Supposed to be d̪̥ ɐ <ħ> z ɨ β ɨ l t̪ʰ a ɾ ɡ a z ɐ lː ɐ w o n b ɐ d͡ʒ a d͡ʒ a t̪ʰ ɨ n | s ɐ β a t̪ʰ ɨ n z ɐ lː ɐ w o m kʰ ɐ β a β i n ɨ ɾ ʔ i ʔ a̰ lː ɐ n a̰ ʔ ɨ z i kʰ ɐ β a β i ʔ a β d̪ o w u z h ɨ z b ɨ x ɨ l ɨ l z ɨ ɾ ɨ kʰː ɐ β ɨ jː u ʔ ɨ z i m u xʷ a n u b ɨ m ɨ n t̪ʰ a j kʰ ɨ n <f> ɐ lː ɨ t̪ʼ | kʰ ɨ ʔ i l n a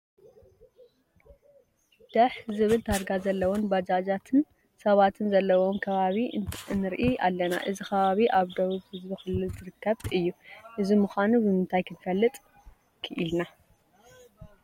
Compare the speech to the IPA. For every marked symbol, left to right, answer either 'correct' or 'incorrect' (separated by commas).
correct, correct